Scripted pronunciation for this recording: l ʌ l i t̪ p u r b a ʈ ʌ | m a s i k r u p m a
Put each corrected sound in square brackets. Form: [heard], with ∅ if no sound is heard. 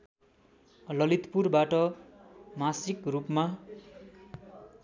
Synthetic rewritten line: l ʌ l i t̪ p u r b a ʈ ʌ | m a s i k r u p m a

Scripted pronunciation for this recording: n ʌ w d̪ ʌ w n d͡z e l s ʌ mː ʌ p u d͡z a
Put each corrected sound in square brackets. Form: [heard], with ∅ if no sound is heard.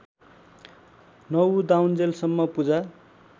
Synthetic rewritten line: n ʌ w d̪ [a] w n d͡z e l s ʌ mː ʌ p u d͡z a

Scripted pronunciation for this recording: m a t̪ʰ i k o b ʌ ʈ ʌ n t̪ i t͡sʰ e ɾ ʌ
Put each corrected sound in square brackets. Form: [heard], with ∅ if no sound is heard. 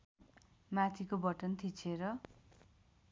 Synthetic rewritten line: m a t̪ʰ i k o b ʌ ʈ ʌ n [t̪ʰ] i t͡sʰ e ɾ ʌ

